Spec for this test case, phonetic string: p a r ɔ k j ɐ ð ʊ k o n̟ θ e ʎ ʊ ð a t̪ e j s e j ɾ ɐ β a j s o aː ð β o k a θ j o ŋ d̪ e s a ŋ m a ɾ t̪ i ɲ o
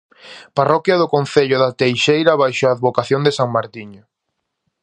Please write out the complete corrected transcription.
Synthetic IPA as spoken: p a r ɔ k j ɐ ð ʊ k o n̟ θ e ʎ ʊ ð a t̪ e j ʃ e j ɾ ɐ β a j ʃ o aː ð β o k a θ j o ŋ d̪ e s a ŋ m a ɾ t̪ i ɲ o